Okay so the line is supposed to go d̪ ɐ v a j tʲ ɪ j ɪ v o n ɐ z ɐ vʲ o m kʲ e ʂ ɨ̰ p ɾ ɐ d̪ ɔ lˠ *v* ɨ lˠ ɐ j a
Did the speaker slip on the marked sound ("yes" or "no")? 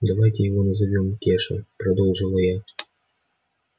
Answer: yes